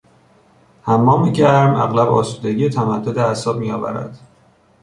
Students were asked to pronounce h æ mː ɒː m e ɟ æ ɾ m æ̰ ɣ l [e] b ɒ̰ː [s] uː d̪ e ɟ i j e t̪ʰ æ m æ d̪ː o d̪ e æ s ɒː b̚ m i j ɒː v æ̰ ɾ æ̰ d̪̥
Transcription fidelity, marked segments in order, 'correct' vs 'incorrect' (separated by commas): incorrect, correct